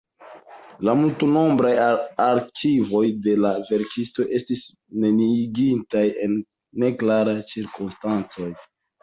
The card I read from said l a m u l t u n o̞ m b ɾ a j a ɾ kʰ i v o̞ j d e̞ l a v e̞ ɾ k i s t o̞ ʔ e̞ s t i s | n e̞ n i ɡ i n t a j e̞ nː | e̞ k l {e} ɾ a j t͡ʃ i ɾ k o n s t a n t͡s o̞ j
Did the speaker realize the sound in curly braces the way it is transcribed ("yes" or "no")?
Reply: no